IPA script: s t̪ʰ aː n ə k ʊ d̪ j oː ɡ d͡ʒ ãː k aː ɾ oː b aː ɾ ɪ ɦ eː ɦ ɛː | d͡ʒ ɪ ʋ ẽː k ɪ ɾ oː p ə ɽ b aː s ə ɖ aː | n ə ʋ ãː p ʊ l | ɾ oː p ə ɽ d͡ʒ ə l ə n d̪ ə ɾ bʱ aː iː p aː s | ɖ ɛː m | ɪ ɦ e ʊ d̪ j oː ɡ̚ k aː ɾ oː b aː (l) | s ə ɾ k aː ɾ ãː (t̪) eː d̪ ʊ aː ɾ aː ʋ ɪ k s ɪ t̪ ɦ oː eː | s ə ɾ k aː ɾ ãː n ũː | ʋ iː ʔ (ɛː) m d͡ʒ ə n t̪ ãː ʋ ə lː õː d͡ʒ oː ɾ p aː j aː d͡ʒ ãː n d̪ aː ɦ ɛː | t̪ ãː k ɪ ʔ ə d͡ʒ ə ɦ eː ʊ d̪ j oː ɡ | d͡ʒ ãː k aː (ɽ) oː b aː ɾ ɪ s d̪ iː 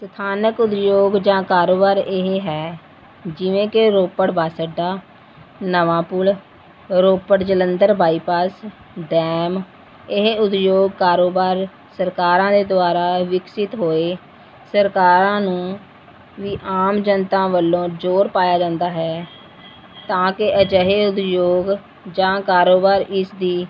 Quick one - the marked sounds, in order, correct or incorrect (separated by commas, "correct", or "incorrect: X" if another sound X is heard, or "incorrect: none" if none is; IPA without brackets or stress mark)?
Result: incorrect: ɾ, incorrect: d̪, incorrect: aː, incorrect: ɾ